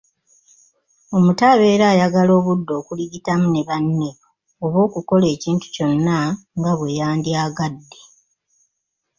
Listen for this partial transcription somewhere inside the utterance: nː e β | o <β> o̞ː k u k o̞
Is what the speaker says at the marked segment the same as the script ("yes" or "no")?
yes